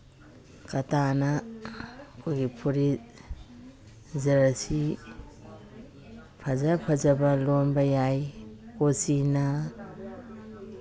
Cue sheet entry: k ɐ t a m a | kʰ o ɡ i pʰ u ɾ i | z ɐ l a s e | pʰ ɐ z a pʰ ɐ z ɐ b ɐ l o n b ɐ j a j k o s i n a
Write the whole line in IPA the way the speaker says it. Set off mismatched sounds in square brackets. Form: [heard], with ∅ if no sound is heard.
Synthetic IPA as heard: k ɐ t a [n] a | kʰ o ɡ i pʰ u ɾ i | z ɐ [ɾ] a s [i] | pʰ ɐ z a pʰ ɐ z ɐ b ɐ l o n b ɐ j a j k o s i n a